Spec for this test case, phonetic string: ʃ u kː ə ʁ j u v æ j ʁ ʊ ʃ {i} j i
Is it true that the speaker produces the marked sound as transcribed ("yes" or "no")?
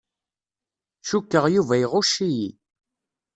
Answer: yes